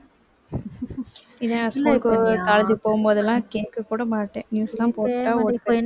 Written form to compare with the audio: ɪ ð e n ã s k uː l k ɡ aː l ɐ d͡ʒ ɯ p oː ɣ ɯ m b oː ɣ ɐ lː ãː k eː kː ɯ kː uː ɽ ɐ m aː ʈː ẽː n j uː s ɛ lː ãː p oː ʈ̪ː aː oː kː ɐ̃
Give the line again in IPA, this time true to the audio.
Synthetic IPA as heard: ɪ ð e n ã s k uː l k k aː l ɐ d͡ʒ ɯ p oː ɣ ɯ m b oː ð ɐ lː ãː k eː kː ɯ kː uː ɽ ɐ m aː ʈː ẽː n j uː s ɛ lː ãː p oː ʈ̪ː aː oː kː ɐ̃